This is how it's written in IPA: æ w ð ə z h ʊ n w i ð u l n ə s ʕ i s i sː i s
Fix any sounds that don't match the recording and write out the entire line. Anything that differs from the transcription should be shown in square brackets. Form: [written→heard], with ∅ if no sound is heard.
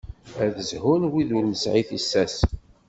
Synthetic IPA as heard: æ [w→∅] ð ə z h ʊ n w i ð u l n ə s ʕ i [s→θ] i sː [i→æ] s